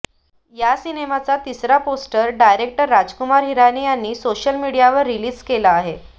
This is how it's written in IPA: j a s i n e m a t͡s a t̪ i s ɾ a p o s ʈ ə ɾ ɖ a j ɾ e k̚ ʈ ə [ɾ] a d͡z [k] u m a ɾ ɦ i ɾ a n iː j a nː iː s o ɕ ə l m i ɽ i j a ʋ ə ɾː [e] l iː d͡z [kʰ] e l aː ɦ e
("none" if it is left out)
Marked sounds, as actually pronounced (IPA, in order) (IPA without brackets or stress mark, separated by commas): ɾː, k, i, k